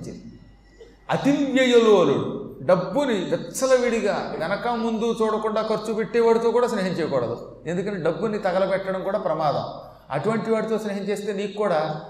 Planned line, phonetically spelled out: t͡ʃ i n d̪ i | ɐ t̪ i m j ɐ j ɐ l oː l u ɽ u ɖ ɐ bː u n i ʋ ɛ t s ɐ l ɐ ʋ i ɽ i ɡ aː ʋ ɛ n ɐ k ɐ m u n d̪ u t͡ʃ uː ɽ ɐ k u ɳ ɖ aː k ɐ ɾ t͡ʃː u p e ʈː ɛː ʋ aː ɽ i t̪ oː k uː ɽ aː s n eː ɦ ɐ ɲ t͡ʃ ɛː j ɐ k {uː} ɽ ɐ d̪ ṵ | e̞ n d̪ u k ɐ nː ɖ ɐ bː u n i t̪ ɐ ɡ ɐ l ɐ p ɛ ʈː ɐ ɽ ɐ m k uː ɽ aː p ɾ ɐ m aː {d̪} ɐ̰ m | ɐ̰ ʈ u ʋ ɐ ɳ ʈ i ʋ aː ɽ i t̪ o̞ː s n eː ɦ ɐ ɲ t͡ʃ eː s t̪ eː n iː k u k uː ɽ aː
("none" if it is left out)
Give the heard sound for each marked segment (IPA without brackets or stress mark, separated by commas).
ɔː, d̪